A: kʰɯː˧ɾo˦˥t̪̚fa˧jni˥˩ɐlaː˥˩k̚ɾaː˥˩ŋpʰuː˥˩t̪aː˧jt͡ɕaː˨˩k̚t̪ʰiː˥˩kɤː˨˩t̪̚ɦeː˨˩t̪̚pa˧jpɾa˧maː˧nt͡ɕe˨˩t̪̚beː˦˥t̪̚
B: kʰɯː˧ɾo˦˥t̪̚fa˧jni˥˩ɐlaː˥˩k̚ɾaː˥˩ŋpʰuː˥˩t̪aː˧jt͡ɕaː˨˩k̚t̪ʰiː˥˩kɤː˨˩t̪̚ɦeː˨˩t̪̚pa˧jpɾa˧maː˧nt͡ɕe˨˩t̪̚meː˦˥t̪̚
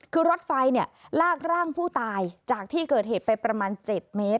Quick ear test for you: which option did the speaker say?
B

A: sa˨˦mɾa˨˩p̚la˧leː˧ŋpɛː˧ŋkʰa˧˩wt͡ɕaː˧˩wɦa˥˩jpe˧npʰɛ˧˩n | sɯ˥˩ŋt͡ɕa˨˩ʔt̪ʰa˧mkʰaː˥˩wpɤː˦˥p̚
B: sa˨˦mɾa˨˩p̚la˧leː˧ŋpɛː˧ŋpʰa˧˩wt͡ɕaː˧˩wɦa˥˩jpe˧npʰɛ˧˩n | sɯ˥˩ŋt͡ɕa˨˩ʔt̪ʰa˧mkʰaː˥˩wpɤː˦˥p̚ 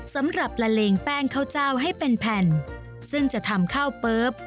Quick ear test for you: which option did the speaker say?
A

